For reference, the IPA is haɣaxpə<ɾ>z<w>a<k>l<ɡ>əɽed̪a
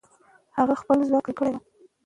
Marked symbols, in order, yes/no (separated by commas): no, yes, yes, no